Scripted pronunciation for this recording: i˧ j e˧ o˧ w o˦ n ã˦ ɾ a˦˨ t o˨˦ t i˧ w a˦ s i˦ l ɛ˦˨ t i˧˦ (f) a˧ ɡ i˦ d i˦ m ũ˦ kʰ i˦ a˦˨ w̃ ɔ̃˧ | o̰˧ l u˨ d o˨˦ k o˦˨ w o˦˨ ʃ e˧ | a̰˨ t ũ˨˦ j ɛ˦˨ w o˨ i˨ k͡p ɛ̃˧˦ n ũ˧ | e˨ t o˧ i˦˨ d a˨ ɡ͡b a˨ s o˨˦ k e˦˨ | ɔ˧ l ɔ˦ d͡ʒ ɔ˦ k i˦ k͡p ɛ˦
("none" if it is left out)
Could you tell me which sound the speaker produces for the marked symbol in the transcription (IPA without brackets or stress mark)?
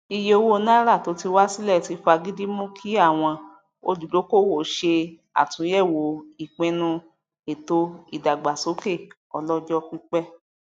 f